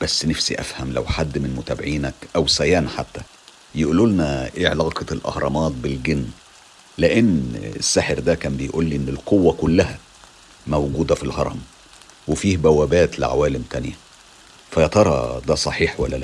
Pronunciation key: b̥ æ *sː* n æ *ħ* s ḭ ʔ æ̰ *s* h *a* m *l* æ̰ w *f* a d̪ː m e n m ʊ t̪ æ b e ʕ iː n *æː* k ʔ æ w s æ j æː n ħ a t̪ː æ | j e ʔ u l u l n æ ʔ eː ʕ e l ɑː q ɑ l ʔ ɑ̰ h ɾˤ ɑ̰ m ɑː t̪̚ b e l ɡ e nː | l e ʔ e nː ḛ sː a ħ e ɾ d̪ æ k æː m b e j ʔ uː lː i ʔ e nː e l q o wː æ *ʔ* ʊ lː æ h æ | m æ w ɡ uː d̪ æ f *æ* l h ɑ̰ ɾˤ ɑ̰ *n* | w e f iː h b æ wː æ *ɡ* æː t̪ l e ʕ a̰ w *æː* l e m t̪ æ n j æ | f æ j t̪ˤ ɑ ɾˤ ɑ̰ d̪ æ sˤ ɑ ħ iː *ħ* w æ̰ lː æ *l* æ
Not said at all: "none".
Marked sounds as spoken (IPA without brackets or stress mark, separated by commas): sː, f, f, æ, l, ħ, æ, k, i, m, b, æː, ħ, l